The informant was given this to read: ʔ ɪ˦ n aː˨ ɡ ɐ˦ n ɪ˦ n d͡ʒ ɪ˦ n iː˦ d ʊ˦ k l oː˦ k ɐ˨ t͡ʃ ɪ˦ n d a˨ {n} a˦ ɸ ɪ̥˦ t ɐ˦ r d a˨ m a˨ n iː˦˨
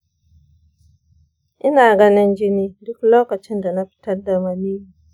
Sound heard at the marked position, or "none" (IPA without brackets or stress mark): n